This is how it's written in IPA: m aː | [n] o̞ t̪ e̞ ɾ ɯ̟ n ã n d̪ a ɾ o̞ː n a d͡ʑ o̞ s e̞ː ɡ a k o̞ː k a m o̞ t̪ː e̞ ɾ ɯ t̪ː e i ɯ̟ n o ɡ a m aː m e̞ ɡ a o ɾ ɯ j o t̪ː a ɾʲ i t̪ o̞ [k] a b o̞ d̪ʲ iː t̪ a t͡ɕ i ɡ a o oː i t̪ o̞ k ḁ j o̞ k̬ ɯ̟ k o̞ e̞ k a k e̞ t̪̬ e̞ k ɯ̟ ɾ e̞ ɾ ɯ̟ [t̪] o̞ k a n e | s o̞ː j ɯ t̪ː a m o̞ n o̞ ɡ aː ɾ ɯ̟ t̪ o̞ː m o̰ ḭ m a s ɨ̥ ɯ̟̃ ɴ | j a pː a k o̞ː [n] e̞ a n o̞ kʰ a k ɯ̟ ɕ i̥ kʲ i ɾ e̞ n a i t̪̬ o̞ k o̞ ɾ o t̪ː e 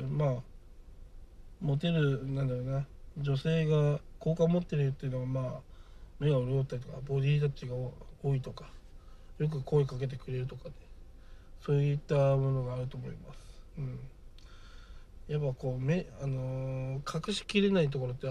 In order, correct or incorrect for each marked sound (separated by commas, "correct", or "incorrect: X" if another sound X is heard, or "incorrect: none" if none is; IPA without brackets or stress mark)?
incorrect: m, correct, correct, incorrect: m